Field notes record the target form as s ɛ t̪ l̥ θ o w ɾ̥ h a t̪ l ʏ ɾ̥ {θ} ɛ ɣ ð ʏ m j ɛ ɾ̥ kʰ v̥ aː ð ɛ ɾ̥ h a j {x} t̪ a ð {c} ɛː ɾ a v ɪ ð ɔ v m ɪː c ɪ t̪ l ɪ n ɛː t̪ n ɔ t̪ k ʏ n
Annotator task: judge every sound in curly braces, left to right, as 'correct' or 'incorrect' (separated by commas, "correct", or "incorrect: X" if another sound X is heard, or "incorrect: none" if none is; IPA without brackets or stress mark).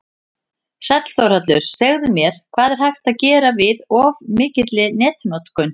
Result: incorrect: s, correct, correct